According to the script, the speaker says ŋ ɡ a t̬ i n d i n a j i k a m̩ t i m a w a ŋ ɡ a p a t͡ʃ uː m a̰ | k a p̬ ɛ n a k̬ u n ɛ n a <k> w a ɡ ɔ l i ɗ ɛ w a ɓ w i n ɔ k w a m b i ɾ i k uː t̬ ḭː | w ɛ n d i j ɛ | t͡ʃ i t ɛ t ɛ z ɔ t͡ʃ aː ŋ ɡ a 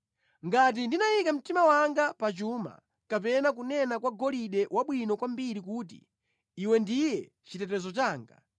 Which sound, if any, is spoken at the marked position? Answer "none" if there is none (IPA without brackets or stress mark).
k